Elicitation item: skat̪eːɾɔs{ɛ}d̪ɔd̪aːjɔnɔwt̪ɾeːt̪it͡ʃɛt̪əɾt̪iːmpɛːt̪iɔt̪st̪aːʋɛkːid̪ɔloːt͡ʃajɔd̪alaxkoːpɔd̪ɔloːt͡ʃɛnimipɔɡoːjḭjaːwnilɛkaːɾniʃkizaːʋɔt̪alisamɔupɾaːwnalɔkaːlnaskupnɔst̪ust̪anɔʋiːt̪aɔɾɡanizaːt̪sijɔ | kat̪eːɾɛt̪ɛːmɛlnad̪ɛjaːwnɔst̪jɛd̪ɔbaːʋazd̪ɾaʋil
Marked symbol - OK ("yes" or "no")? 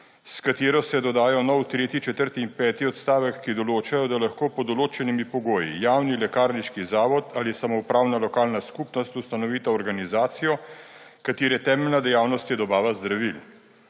yes